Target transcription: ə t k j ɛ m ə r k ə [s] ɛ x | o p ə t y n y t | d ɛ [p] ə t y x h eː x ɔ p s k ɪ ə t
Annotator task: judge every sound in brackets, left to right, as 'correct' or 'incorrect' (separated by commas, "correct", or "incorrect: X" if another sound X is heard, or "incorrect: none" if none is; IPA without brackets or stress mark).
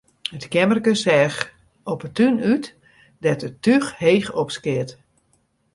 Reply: correct, incorrect: t